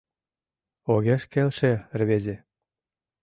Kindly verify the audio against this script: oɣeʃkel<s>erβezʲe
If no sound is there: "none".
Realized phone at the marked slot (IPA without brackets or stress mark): ʃ